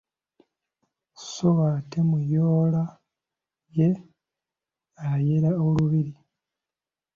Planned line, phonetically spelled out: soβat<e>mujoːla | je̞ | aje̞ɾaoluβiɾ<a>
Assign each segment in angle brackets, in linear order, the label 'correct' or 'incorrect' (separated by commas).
correct, incorrect